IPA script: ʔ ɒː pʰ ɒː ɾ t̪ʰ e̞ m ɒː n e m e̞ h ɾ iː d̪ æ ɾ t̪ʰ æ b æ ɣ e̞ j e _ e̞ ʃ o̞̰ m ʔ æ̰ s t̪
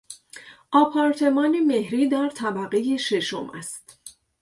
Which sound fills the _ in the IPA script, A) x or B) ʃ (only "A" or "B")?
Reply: B